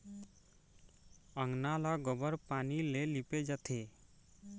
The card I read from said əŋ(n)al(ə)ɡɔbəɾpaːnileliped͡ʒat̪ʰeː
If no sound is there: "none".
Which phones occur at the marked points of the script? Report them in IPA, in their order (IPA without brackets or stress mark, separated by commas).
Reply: n, a